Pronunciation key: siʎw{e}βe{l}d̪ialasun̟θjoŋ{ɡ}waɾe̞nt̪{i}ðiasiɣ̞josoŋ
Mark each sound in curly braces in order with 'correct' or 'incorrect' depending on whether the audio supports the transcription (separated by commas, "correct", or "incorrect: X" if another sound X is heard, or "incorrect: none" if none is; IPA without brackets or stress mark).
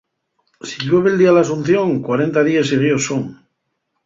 correct, correct, incorrect: k, incorrect: a